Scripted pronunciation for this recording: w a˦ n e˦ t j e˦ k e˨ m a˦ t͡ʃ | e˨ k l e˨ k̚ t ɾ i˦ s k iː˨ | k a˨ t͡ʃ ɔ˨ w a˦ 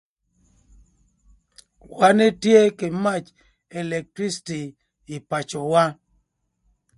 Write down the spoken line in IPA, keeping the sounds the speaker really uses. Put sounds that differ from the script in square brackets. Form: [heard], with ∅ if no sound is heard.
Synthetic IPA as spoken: w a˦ n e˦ t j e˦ k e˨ m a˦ t͡ʃ | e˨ [∅] l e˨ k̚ t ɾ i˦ s [t] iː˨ | [p] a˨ t͡ʃ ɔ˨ w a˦